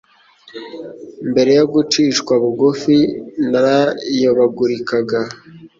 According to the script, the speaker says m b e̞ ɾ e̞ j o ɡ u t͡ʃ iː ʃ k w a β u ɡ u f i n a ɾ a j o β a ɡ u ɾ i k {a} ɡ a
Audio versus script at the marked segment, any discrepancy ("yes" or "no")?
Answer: no